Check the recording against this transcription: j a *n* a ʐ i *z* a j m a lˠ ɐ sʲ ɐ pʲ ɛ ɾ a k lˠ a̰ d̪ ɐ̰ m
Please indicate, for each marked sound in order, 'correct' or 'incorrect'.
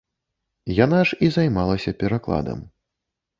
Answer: correct, correct

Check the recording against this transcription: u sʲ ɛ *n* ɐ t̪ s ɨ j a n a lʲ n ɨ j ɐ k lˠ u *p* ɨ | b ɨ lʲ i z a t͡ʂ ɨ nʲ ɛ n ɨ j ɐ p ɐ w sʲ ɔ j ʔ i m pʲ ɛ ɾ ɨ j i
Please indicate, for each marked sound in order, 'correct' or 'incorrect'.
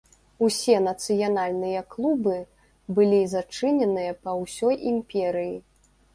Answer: correct, incorrect: b

